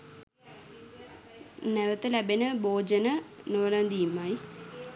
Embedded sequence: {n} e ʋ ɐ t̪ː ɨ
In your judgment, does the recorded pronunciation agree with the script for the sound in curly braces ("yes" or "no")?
yes